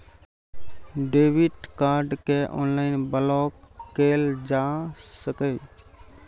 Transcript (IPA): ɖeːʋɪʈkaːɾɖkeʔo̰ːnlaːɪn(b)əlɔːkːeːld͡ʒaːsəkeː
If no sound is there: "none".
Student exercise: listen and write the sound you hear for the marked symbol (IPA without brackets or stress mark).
b